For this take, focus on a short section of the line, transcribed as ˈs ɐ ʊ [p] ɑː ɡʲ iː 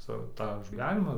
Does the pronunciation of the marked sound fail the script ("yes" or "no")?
yes